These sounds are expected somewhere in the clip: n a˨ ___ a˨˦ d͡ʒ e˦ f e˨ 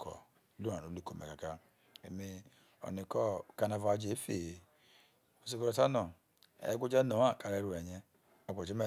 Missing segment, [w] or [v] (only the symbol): v